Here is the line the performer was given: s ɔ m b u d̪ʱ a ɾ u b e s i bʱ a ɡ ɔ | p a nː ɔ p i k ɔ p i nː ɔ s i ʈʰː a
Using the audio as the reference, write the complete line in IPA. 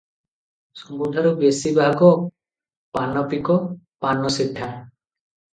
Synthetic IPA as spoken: s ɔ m b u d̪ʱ a ɾ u b e s i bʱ a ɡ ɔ | p a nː ɔ p i k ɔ p a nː ɔ s i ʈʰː a